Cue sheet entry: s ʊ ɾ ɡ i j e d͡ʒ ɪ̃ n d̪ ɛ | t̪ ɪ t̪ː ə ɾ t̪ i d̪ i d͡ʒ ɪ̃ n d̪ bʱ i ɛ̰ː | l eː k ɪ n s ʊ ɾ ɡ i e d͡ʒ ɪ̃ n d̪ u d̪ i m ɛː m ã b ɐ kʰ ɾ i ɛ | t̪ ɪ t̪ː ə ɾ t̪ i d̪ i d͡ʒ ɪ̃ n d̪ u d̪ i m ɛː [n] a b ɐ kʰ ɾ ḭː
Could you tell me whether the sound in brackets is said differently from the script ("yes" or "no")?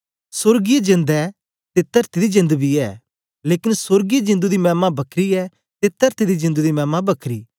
yes